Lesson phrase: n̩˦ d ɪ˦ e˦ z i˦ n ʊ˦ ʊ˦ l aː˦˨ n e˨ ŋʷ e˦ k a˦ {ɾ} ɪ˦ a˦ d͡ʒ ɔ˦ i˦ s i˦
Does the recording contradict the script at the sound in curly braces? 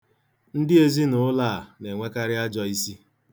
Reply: no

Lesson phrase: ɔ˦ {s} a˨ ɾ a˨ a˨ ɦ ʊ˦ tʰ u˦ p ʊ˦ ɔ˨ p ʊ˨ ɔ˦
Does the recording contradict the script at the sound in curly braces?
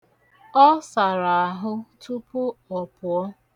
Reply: no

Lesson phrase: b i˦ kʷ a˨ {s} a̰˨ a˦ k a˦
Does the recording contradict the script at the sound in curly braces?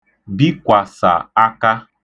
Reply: no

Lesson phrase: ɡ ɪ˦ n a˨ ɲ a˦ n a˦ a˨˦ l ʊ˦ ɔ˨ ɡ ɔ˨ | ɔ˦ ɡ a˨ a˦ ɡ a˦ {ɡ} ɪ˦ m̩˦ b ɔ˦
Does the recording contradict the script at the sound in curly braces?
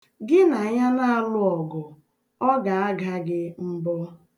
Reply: no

